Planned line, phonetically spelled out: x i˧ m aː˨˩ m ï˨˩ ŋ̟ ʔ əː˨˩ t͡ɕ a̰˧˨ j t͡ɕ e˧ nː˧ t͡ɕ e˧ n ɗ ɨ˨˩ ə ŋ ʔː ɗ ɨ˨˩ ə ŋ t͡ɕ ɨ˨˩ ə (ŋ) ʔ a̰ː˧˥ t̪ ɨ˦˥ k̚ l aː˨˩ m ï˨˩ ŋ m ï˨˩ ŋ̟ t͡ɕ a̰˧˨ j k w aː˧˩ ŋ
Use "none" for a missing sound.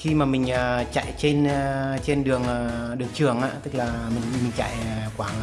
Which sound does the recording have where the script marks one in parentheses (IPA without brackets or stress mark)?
ŋ